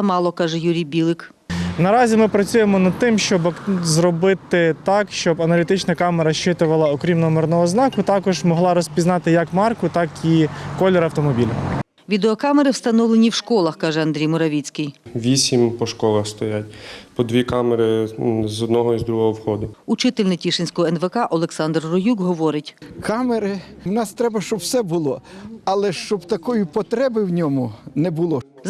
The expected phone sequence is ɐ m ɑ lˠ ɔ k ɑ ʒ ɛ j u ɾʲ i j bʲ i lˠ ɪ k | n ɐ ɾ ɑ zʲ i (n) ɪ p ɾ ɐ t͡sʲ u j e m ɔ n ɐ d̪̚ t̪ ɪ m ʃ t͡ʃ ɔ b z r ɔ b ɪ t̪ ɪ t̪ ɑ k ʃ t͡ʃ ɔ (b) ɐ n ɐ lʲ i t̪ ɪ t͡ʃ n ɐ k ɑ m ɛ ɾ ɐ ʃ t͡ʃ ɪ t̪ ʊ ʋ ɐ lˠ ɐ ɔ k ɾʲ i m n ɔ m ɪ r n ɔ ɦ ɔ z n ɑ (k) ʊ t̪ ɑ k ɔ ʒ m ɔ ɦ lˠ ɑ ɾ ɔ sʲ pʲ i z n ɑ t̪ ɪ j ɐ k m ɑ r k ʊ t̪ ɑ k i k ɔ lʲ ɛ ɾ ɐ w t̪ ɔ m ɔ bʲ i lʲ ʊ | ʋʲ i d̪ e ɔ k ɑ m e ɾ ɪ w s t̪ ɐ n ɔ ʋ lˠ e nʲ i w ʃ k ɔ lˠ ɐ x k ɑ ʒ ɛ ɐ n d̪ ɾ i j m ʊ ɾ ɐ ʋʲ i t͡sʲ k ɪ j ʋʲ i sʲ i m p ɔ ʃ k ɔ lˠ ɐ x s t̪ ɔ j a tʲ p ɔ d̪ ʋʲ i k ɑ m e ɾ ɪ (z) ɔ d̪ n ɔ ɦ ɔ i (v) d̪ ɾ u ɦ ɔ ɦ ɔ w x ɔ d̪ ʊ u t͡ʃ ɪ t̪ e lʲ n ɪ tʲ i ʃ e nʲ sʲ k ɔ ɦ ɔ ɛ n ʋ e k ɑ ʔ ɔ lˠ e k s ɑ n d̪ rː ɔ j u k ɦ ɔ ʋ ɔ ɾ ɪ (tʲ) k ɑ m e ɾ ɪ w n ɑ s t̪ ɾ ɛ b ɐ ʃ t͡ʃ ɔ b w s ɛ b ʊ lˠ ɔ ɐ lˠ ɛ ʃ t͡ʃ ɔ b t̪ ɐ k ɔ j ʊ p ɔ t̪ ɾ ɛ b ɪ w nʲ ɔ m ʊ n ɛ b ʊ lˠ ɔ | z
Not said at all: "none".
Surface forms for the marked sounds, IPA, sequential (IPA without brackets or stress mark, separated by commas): m, b, k, z, z, tʲ